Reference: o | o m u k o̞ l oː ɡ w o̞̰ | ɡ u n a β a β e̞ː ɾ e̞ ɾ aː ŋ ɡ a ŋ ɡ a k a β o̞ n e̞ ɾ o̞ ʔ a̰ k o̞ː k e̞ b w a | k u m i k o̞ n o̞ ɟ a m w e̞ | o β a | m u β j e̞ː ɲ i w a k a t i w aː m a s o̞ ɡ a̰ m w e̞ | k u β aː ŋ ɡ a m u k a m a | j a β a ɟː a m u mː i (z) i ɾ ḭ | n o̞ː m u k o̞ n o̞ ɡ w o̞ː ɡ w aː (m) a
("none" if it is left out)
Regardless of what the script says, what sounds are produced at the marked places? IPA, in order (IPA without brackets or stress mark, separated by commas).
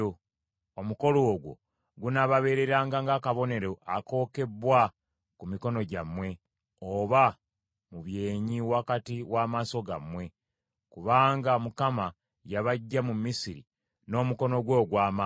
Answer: s, m